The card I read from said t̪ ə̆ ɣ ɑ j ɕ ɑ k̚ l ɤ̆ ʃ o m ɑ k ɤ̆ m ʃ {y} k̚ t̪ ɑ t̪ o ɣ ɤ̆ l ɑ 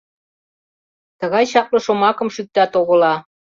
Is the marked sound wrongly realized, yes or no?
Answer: no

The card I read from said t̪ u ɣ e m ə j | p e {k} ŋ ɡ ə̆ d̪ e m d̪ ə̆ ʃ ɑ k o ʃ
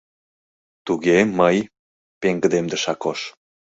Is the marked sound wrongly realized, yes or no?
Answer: yes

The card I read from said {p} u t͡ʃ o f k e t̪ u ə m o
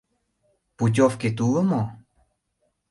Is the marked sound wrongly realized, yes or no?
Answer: no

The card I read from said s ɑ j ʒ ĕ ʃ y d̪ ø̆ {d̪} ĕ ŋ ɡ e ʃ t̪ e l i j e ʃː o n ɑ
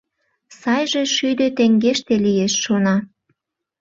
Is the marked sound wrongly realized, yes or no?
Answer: yes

